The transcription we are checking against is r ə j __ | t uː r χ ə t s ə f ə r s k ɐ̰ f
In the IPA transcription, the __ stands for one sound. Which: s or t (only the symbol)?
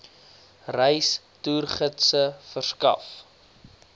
s